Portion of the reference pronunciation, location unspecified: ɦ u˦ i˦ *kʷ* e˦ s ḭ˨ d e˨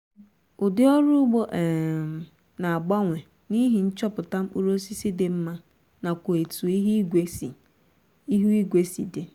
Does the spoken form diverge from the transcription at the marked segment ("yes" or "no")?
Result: yes